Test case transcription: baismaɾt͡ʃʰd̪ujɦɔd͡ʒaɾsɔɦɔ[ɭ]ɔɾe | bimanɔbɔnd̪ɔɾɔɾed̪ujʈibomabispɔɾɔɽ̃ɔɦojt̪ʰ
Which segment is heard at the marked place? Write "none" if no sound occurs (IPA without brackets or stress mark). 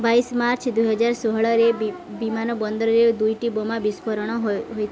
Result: ɭ